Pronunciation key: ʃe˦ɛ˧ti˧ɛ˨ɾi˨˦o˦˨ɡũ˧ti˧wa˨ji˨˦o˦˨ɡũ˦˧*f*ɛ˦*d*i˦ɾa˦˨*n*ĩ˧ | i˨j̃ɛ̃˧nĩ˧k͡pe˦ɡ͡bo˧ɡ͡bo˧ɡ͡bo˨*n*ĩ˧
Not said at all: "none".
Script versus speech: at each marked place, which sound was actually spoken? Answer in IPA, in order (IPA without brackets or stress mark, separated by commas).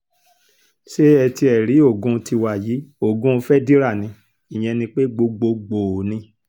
f, d, n, n